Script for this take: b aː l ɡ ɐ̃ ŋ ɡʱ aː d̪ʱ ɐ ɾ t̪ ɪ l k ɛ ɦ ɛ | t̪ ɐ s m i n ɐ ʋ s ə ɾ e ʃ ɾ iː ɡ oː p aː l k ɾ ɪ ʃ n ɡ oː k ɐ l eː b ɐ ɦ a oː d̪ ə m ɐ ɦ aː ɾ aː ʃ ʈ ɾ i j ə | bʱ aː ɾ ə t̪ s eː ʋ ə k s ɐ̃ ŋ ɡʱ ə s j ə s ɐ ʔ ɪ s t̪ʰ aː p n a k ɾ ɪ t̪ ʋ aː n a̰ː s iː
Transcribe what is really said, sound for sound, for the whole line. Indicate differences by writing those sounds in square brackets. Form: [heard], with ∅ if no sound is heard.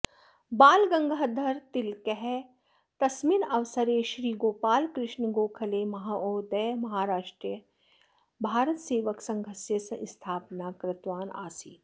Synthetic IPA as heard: b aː l ɡ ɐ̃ ŋ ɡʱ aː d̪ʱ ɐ ɾ t̪ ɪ l k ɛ ɦ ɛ | t̪ ɐ s m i n ɐ ʋ s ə ɾ e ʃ ɾ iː ɡ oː p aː l k ɾ ɪ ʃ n ɡ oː [kʰ] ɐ l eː [m] ɐ ɦ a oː d̪ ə m ɐ ɦ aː ɾ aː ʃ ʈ ɾ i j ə | bʱ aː ɾ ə t̪ s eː ʋ ə k s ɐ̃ ŋ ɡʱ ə s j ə s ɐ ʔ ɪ s t̪ʰ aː p n a k ɾ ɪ t̪ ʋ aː n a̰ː s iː